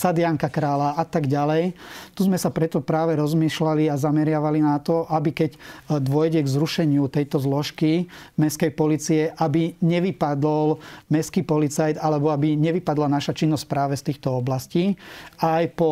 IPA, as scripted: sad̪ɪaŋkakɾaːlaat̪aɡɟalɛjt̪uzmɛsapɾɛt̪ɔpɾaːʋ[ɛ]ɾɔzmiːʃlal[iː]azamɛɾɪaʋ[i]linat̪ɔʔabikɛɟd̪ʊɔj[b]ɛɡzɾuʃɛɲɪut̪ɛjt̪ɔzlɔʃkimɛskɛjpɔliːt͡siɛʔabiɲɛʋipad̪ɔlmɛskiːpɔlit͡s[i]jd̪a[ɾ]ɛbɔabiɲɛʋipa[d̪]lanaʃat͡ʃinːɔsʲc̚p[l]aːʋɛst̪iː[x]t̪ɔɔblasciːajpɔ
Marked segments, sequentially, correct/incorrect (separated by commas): correct, incorrect, incorrect, incorrect, incorrect, incorrect, correct, incorrect, correct